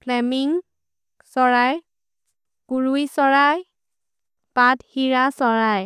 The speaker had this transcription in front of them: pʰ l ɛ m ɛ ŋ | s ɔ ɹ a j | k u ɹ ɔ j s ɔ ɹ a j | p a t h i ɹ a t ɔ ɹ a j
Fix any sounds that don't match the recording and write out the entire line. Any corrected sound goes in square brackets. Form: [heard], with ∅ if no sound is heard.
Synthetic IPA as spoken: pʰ l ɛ m [i] ŋ | s ɔ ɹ a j | k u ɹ [u] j s ɔ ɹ a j | p a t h i ɹ a [s] ɔ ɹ a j